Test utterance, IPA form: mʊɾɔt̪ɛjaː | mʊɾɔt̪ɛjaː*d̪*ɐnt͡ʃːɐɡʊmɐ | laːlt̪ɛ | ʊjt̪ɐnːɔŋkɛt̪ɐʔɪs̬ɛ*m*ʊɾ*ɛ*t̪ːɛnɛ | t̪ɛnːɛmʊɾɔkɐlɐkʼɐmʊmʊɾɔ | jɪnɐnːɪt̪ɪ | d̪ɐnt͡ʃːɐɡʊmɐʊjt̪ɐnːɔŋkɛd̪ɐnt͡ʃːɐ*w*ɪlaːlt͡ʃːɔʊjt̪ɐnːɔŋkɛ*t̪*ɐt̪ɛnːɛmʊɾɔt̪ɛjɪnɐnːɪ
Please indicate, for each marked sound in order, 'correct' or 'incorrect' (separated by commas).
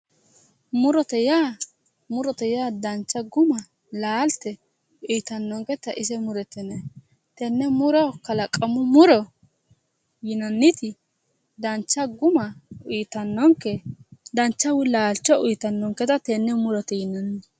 correct, correct, correct, correct, correct